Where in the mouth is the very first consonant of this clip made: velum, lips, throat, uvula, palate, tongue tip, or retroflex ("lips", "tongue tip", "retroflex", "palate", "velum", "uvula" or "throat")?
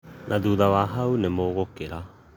tongue tip